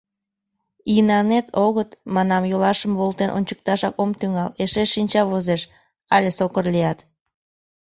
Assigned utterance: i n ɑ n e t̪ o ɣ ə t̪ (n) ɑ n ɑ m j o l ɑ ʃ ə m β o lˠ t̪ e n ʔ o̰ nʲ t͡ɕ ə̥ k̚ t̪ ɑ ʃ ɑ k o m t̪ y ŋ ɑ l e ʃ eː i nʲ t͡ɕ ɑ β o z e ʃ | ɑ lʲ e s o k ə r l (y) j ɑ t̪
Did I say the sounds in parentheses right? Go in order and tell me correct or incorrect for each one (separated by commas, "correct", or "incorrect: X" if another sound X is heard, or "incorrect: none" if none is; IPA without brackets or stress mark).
incorrect: m, incorrect: i